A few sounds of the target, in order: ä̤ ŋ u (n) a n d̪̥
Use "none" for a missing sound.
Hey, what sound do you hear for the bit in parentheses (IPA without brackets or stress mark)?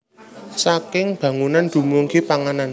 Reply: n